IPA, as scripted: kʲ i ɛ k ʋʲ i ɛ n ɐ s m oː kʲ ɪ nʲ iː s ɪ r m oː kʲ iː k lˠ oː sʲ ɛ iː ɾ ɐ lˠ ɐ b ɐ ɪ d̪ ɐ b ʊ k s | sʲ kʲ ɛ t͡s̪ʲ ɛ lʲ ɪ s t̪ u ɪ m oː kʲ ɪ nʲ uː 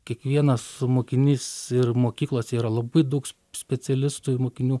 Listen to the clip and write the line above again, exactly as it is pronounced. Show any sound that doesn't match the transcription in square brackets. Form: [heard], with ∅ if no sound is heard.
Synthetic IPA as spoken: kʲ i ɛ k ʋʲ i ɛ n ɐ s m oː kʲ ɪ nʲ iː s ɪ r m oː kʲ iː k lˠ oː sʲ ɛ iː ɾ ɐ lˠ ɐ b ɐ ɪ d̪ ɐ [∅] ʊ k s | sʲ [pʲ] ɛ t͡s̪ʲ ɛ lʲ ɪ s t̪ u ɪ m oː kʲ ɪ nʲ uː

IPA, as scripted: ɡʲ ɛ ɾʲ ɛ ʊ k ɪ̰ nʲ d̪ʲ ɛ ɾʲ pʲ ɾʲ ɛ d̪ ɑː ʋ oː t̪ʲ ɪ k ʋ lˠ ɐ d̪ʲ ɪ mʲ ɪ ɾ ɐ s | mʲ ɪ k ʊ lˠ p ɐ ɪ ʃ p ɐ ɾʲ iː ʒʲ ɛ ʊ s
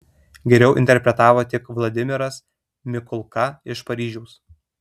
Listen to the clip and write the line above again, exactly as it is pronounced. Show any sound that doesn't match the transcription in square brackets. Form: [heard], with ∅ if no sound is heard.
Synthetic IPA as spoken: ɡʲ ɛ ɾʲ ɛ ʊ [ʔ] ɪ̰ nʲ [t̪ʲ] ɛ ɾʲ pʲ ɾʲ ɛ [t̪] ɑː ʋ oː t̪ʲ ɪ k ʋ lˠ ɐ d̪ʲ ɪ mʲ ɪ ɾ ɐ s | mʲ ɪ k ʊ lˠ [k] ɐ ɪ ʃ p ɐ ɾʲ iː ʒʲ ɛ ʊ s

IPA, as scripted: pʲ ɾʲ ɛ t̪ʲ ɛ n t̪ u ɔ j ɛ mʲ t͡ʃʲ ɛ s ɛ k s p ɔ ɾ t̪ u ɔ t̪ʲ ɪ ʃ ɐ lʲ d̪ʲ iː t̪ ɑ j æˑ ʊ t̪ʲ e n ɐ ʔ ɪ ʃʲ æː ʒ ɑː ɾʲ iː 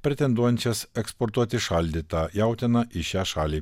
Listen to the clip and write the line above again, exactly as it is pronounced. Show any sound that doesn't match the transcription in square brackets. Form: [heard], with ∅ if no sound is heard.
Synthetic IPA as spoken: pʲ ɾʲ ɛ t̪ʲ ɛ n [d̪] u ɔ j ɛ [nʲ] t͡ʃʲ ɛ s ɛ k s p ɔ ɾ t̪ u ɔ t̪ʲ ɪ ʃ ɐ lʲ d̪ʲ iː t̪ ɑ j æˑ ʊ t̪ʲ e n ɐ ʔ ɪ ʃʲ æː [ʃ] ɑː [lʲ] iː

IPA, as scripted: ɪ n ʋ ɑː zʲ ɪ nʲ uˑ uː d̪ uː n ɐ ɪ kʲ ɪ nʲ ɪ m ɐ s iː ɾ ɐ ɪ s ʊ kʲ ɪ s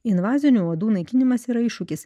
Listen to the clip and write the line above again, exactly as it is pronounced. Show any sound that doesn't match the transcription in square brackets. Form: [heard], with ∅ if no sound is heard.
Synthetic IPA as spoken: ɪ n ʋ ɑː zʲ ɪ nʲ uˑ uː d̪ uː n ɐ ɪ kʲ ɪ nʲ ɪ m ɐ s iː ɾ ɐ ɪ [ʃ] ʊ kʲ ɪ s

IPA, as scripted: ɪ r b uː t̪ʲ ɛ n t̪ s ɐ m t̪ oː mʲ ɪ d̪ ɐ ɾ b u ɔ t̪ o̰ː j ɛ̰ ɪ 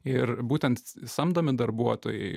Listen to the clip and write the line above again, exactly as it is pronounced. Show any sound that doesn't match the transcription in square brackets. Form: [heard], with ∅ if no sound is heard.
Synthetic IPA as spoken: ɪ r b uː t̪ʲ ɛ n t̪ s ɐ m [d̪] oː mʲ ɪ d̪ ɐ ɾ b u ɔ t̪ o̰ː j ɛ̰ ɪ

